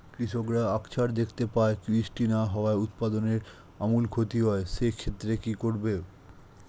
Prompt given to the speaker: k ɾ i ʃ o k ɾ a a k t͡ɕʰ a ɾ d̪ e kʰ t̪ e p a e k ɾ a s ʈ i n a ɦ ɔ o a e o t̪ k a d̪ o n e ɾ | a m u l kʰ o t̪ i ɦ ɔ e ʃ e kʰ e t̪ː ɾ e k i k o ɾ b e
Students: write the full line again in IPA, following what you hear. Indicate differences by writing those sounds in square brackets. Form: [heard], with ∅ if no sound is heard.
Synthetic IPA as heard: k ɾ i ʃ o k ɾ a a k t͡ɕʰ a ɾ d̪ e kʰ t̪ e p a e k ɾ [i] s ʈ i n a ɦ ɔ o a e [u] t̪ [p] a d̪ o n e ɾ | a m u l kʰ o t̪ i ɦ ɔ e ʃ e kʰ e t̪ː ɾ e k i k o ɾ b e